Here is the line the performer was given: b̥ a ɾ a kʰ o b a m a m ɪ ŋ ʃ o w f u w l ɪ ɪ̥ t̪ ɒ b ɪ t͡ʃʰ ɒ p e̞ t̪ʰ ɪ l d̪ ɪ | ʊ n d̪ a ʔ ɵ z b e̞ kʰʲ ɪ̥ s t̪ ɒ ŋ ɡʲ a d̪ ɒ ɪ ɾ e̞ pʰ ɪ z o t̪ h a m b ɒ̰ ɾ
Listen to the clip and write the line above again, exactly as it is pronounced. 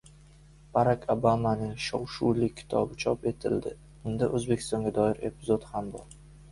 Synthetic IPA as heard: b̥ a ɾ a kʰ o b a m a n ɪ ŋ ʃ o w ʃ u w l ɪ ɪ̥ t̪ʰ ɒ b ɪ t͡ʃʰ ɒ p e̞ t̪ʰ ɪ l d̪ ɪ | ʊ n d̪ a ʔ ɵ z b e̞ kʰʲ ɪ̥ s t̪ ɒ ŋ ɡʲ a d̪ ɒ ɪ ɾ e̞ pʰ ɪ z o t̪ h a m b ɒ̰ ɾ